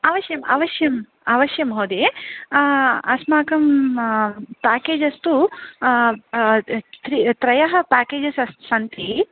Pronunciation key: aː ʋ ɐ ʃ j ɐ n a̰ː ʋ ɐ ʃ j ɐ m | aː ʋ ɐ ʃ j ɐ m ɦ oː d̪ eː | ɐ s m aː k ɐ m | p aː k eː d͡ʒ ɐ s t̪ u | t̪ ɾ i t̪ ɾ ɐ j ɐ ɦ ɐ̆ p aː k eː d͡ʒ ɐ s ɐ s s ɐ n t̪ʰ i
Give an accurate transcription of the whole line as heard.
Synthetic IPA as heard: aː ʋ ɐ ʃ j ɐ m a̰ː ʋ ɐ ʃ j ɐ m | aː ʋ ɐ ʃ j ɐ m ɦ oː d̪ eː | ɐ s m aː k ɐ m | p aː k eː d͡ʒ ɐ s t̪ u | t̪ ɾ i t̪ ɾ ɐ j ɐ ɦ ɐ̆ p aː k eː d͡ʒ ɐ s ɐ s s ɐ n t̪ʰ i